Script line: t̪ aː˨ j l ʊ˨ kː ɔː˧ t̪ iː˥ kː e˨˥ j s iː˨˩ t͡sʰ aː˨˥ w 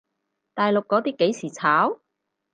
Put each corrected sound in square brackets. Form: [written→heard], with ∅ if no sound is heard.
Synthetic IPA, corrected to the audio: t̪ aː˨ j l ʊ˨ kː [ɔː˧→ɔː˨˥] t̪ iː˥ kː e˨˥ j s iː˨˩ t͡sʰ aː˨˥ w